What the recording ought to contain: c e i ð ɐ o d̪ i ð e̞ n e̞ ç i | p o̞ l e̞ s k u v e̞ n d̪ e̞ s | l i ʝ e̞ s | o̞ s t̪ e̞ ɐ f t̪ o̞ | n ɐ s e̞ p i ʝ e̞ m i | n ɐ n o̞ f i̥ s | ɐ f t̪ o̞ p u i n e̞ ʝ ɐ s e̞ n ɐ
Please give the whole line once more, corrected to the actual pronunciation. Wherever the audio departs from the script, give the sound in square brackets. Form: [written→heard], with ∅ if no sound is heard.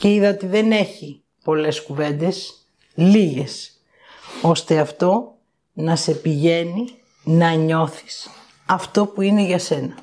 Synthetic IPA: c e i ð ɐ o [d̪→t̪] i ð e̞ n e̞ ç i | p o̞ l e̞ s k u v e̞ n d̪ e̞ s | l i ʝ e̞ s | o̞ s t̪ e̞ ɐ f t̪ o̞ | n ɐ s e̞ p i ʝ e̞ [m→n] i | n ɐ [n→ɲ] o̞ [f→θ] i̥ s | ɐ f t̪ o̞ p u i n e̞ ʝ ɐ s e̞ n ɐ